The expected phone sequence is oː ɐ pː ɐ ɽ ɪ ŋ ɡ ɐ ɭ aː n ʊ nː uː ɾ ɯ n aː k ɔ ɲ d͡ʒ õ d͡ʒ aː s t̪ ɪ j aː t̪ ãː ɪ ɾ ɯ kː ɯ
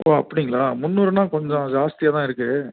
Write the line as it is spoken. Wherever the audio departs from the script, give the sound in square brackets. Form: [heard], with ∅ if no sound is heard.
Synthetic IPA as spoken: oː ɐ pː ɐ ɽ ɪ ŋ ɡ ɐ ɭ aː [m] ʊ nː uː ɾ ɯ n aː k ɔ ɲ d͡ʒ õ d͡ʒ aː s t̪ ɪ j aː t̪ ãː ɪ ɾ ɯ kː ɯ

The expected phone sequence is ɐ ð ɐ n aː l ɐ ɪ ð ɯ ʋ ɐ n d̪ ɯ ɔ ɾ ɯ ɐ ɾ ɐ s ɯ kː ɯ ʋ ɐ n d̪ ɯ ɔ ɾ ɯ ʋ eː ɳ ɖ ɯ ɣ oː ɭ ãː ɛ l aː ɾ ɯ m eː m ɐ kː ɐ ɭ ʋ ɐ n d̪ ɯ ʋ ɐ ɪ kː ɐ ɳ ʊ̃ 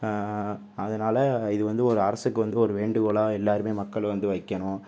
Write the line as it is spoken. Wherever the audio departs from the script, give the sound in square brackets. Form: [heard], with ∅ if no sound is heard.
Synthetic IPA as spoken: ɐ ð ɐ n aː l ɐ ɪ ð ɯ ʋ ɐ n d̪ ɯ ɔ ɾ ɯ ɐ ɾ ɐ s ɯ kː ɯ ʋ ɐ n d̪ ɯ ɔ ɾ ɯ ʋ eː ɳ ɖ ɯ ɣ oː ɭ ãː ɛ [lː] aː ɾ ɯ m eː m ɐ kː ɐ ɭ ʋ ɐ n d̪ ɯ ʋ ɐ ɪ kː ɐ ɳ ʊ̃

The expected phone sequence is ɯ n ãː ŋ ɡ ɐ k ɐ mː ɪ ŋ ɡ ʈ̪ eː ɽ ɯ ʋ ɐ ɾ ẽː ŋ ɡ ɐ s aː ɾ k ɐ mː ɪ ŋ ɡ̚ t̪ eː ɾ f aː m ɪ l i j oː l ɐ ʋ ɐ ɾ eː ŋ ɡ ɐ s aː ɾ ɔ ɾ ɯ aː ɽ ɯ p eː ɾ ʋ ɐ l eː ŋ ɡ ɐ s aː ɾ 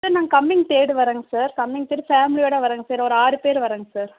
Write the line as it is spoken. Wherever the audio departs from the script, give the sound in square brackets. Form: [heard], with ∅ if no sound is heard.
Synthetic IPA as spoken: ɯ n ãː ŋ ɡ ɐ k ɐ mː ɪ ŋ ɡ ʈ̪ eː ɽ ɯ ʋ ɐ ɾ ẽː ŋ ɡ ɐ s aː ɾ k ɐ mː ɪ ŋ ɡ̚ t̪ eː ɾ f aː m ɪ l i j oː [ɽ] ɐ ʋ ɐ ɾ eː ŋ ɡ ɐ s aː ɾ ɔ ɾ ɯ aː [ɾ] ɯ p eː ɾ ʋ ɐ [ɾ] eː ŋ ɡ ɐ s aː ɾ

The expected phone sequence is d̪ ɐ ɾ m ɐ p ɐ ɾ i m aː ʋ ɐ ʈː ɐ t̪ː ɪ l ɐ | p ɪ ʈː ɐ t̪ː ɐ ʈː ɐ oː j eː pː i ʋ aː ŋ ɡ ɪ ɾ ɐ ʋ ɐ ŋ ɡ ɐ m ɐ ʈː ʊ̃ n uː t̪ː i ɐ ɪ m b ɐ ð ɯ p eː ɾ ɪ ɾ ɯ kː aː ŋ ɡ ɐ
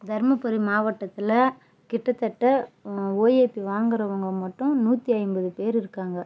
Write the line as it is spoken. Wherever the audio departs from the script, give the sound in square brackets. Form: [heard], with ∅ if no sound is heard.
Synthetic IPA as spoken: d̪ ɐ ɾ m ɐ p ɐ ɾ i m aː ʋ ɐ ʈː ɐ t̪ː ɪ l ɐ | [k] ɪ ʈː ɐ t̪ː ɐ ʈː ɐ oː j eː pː i ʋ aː ŋ ɡ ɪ ɾ ɐ ʋ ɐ ŋ ɡ ɐ m ɐ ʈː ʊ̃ n uː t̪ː i ɐ ɪ m b ɐ ð ɯ p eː ɾ ɪ ɾ ɯ kː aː ŋ ɡ ɐ

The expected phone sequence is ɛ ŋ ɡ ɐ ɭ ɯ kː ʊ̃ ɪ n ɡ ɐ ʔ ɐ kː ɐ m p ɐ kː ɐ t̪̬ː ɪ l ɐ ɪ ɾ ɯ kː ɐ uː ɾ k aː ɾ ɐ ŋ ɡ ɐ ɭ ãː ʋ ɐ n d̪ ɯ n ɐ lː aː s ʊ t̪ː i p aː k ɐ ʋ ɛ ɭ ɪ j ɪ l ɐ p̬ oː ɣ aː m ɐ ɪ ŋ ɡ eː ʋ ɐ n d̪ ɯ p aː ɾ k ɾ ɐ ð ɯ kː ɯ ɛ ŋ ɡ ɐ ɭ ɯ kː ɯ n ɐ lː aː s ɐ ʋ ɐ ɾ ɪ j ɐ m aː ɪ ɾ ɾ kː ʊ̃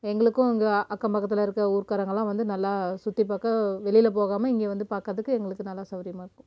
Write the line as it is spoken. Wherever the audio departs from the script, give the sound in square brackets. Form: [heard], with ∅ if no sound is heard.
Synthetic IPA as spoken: ɛ ŋ ɡ ɐ ɭ ɯ kː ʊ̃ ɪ [ŋ] ɡ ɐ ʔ ɐ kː ɐ m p ɐ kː ɐ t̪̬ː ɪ l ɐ ɪ ɾ ɯ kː ɐ uː ɾ k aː ɾ ɐ ŋ ɡ ɐ ɭ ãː ʋ ɐ n d̪ ɯ n ɐ lː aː s ʊ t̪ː i p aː k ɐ ʋ ɛ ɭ ɪ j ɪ l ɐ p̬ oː ɣ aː m ɐ ɪ ŋ ɡ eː ʋ ɐ n d̪ ɯ p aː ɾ k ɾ ɐ ð ɯ kː ɯ ɛ ŋ ɡ ɐ ɭ ɯ kː ɯ n ɐ lː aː s ɐ ʋ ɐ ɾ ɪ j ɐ m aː ɪ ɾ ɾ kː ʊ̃

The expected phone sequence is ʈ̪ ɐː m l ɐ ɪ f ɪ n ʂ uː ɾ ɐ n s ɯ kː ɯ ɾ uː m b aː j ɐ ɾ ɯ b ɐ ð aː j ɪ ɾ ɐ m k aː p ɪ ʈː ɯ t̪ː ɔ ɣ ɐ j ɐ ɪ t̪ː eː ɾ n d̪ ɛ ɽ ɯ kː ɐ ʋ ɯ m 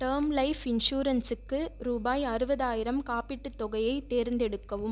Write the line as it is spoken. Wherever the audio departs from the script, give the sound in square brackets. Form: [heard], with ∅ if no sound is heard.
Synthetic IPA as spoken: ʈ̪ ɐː m l ɐ ɪ f ɪ n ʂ uː ɾ ɐ n s ɯ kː ɯ ɾ uː [∅] b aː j ɐ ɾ ɯ b ɐ ð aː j ɪ ɾ ɐ m k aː p ɪ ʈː ɯ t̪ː ɔ ɣ ɐ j ɐ ɪ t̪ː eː ɾ n d̪ ɛ ɽ ɯ kː ɐ ʋ ɯ m

